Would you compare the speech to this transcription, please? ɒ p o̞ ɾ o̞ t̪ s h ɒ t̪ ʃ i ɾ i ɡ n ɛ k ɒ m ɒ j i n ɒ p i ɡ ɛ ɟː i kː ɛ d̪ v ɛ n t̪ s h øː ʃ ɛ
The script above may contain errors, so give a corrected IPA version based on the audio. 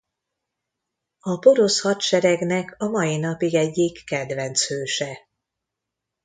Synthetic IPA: ɒ p o̞ ɾ o̞ s h ɒ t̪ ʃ ɛ ɾ ɛ ɡ n ɛ k ɒ m ɒ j i n ɒ p i ɡ ɛ ɟː i kː ɛ d̪ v ɛ n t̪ s h øː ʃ ɛ

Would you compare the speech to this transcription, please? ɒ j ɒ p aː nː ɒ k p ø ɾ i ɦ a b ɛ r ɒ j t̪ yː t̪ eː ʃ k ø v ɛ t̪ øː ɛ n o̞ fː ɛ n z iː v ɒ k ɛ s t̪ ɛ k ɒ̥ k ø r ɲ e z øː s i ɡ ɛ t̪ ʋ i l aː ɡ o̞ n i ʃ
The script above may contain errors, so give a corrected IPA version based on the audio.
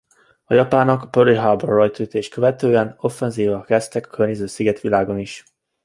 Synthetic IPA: ɒ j ɒ p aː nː ɒ k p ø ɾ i ɦ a b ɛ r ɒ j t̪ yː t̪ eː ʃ k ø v ɛ t̪ øː ɛ n o̞ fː ɛ n z iː v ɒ k ɛ s t̪ ɛ k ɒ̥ k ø r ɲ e z øː s i ɡ ɛ t̪ ʋ i l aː ɡ o̞ n i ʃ

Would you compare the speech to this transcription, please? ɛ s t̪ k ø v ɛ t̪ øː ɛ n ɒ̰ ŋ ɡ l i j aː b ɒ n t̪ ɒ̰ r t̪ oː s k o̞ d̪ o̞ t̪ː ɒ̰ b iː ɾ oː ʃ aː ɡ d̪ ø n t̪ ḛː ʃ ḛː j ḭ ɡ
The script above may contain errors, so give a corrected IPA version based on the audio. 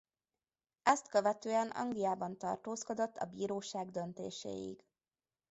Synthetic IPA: ɛ s t̪ k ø v ɛ t̪ øː ɛ n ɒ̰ ŋ ɡ l i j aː b ɒ n t̪ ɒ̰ r t̪ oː s k o̞ d̪ o̞ t̪ː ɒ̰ b iː ɾ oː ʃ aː ɡ d̪ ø n t̪ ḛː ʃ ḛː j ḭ ɡ

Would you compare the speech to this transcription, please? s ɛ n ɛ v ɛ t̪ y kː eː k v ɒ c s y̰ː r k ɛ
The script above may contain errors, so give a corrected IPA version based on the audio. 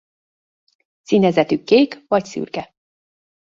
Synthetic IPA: s i n ɛ z ɛ t̪ y kː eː k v ɒ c s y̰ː r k ɛ

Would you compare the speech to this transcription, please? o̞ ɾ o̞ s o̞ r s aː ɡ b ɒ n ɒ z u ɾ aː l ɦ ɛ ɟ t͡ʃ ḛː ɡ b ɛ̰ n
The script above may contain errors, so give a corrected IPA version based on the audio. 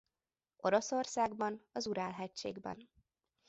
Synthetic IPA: o̞ ɾ o̞ s o̞ r s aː ɡ b ɒ n ɒ z u ɾ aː l ɦ ɛ c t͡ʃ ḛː ɡ b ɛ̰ n

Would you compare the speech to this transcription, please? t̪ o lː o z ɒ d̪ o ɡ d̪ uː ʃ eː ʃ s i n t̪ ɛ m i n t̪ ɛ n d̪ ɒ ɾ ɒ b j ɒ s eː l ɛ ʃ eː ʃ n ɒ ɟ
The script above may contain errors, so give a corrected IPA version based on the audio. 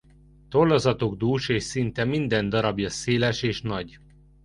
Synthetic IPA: t̪ o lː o z ɒ t̪ o ɡ d̪ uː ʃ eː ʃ s i n t̪ ɛ m i n d̪ ɛ n d̪ ɒ ɾ ɒ b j ɒ s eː l ɛ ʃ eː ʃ n ɒ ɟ

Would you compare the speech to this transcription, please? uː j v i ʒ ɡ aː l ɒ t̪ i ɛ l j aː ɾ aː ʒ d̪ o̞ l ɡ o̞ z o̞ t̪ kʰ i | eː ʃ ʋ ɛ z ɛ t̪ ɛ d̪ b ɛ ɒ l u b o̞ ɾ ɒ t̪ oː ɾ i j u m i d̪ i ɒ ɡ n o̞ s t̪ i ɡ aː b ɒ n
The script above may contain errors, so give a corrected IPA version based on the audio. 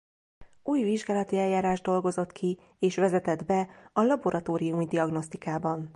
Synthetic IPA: uː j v i ʒ ɡ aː l ɒ t̪ i ɛ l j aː ɾ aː ʒ d̪ o̞ l ɡ o̞ z o̞ t̪ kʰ i | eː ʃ ʋ ɛ z ɛ t̪ ɛ d̪ b ɛ ɒ l ɒ b o̞ ɾ ɒ t̪ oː ɾ i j u m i d̪ i ɒ ɡ n o̞ s t̪ i k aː b ɒ n

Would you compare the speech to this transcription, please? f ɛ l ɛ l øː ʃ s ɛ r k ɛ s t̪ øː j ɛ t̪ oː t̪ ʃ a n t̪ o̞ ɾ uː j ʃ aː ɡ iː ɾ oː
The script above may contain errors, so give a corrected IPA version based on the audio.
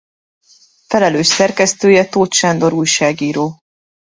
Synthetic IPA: f ɛ l ɛ l øː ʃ s ɛ r k ɛ s t̪ øː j ɛ t̪ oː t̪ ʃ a n d̪ o̞ ɾ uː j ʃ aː ɡ iː ɾ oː

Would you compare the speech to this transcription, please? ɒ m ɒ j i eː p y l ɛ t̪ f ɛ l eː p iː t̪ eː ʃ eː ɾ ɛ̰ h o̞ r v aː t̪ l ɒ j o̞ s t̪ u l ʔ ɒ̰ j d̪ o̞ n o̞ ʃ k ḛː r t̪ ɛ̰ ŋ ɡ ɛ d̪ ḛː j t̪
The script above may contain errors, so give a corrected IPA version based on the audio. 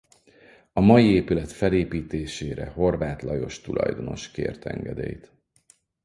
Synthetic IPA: ɒ m ɒ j i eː p y l ɛ t̪ f ɛ l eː p iː t̪ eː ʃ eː ɾ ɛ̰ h o̞ r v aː t̪ l ɒ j o̞ ʃ t̪ u l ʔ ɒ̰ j d̪ o̞ n o̞ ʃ k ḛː r t̪ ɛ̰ ŋ ɡ ɛ d̪ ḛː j t̪

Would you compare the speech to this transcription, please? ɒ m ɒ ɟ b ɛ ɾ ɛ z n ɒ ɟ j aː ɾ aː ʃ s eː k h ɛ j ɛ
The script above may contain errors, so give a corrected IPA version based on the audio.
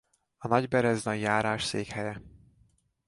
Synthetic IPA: ɒ n ɒ ɟ b ɛ ɾ ɛ z n ɒ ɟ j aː ɾ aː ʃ s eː k h ɛ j ɛ

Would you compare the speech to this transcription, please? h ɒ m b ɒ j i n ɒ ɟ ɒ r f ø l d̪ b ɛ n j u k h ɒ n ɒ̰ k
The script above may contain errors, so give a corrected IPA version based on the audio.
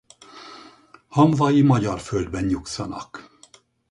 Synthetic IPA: h ɒ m v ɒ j i m ɒ ɟ ɒ r f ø l d̪ b ɛ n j u k s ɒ n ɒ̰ k

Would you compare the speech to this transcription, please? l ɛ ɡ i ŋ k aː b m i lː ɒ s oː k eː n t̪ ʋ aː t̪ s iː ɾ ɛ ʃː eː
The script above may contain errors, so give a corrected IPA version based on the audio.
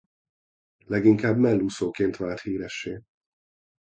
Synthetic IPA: l ɛ ɡ i ŋ k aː b m ɛ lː u s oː k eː n t̪ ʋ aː t̪ h iː ɾ ɛ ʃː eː

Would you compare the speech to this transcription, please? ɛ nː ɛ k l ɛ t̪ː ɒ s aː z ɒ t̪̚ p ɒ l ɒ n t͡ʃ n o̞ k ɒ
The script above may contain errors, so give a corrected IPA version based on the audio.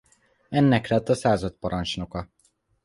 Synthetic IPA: ɛ nː ɛ k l ɛ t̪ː ɒ s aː z ɒ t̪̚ p ɒ ɾ ɒ n t͡ʃ n o̞ k ɒ

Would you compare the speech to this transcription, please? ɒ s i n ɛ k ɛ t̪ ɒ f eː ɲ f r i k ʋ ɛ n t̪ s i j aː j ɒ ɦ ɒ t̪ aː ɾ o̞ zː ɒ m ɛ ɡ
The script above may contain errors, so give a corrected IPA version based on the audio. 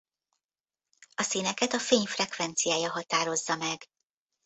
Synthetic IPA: ɒ s i n ɛ k ɛ t̪ ɒ f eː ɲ f r ɛ k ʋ ɛ n t̪ s i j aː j ɒ ɦ ɒ t̪ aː ɾ o̞ zː ɒ m ɛ ɡ

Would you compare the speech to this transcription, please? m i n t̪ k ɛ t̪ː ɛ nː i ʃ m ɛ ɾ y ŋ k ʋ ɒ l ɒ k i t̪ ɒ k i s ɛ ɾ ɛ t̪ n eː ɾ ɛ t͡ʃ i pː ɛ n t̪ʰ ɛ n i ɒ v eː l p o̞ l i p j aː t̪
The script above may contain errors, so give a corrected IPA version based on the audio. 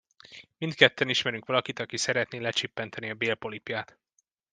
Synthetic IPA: m i n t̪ k ɛ t̪ː ɛ n i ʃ m ɛ ɾ y ŋ k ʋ ɒ l ɒ k i t̪ ɒ k i s ɛ ɾ ɛ t̪ n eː l ɛ t͡ʃ i pː ɛ n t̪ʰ ɛ n i ɒ b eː l p o̞ l i p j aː t̪

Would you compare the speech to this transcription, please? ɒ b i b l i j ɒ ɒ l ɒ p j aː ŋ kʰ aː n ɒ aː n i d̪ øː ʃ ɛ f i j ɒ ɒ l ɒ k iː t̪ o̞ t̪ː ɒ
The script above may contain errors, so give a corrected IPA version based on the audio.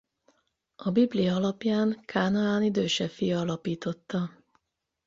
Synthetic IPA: ɒ b i b l i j ɒ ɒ l ɒ p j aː ŋ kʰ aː n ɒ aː n i d̪ øː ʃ ɛ f i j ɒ ɒ l ɒ p iː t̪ o̞ t̪ː ɒ

